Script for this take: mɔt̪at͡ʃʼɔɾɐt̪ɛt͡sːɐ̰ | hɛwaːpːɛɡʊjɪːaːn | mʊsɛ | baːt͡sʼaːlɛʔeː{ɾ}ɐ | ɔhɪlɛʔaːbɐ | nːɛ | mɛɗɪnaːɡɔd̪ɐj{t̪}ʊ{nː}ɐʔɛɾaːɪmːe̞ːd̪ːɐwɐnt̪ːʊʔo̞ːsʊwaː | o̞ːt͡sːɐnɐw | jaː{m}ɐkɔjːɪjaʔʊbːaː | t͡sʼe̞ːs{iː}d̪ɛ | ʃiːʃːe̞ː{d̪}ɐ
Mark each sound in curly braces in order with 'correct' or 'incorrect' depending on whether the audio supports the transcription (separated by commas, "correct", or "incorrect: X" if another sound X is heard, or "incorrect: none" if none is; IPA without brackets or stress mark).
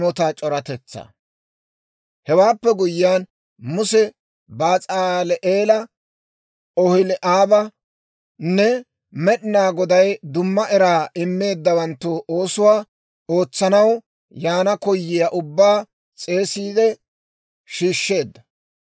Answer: incorrect: l, incorrect: d̪, incorrect: mː, incorrect: n, correct, incorrect: d̪ː